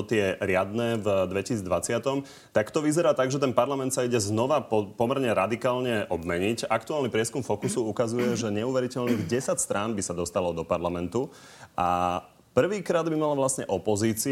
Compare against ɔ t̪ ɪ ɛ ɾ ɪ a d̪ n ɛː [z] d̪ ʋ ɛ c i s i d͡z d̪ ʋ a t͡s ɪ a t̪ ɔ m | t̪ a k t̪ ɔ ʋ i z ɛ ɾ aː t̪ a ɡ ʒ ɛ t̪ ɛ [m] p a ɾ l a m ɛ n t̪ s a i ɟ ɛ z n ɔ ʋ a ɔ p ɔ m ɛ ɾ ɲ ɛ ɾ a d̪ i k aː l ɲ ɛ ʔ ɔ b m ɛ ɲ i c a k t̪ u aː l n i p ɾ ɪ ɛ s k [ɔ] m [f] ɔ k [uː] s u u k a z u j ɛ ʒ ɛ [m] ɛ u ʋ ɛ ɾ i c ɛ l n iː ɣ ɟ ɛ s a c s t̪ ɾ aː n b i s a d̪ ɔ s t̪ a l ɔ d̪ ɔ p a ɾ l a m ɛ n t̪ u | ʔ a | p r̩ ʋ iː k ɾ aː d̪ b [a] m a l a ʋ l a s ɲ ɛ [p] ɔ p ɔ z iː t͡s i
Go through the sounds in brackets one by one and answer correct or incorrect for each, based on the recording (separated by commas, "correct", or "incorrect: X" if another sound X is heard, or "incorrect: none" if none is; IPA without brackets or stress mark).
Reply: incorrect: v, incorrect: n, incorrect: u, correct, incorrect: u, incorrect: ɲ, incorrect: i, incorrect: ʔ